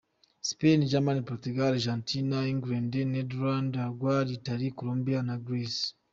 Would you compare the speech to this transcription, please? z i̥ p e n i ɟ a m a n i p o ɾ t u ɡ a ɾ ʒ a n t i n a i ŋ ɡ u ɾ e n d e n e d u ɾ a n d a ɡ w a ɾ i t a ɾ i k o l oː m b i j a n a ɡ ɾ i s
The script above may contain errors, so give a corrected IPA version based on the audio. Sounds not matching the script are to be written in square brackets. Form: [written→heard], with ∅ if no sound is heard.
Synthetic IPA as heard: [z→s] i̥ p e n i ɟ a m a n i p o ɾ t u ɡ a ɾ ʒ a n t i n a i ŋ ɡ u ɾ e n d e n e d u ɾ a n d a ɡ w a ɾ i t a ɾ i k o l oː m b i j a n a ɡ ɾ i s